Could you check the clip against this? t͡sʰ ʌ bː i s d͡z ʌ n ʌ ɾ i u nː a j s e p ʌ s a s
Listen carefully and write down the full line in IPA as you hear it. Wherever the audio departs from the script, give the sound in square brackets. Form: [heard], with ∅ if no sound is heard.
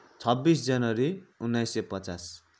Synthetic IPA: t͡sʰ ʌ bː i s d͡z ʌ n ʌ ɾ i u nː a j s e p ʌ [t͡s] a s